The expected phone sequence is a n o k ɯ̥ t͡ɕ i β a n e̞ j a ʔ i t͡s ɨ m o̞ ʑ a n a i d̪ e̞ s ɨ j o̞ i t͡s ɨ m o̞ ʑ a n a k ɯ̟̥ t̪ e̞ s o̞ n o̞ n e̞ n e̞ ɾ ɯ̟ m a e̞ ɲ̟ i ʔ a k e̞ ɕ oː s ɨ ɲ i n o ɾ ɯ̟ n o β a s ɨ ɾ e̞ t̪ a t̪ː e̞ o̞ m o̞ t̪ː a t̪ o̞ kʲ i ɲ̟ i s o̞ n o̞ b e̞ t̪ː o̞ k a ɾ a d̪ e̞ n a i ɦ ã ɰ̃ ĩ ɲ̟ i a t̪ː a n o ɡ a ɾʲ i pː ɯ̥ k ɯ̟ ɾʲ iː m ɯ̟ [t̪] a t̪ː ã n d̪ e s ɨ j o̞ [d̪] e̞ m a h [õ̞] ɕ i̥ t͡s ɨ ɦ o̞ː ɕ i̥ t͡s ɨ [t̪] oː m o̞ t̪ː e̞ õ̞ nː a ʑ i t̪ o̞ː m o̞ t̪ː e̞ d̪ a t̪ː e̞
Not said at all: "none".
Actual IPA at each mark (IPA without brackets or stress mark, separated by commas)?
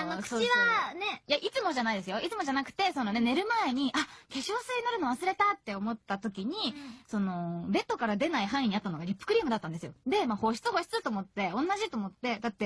d̪, d̪, o̞, t̪